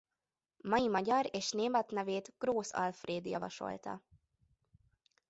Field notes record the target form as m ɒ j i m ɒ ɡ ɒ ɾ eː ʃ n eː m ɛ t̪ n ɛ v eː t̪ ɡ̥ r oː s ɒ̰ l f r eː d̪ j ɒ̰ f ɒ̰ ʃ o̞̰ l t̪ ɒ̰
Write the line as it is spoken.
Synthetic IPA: m ɒ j i m ɒ ɟ ɒ ɾ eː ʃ n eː m ɛ t̪ n ɛ v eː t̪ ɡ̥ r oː s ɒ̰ l f r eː d̪ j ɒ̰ v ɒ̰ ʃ o̞̰ l t̪ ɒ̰